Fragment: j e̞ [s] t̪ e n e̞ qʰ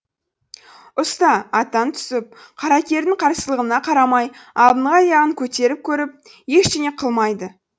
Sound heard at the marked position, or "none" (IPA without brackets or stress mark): ʃ